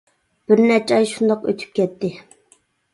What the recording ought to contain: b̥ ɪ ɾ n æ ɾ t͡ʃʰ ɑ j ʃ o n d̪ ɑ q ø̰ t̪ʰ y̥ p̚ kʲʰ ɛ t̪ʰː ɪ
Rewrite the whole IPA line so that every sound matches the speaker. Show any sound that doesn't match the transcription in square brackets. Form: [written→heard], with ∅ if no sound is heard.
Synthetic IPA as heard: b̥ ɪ ɾ n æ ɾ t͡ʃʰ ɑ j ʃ [o→u] n d̪ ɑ q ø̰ t̪ʰ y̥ p̚ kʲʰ ɛ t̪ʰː ɪ